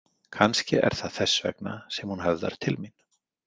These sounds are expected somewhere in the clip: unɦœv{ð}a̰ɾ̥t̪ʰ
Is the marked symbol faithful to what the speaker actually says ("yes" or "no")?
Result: yes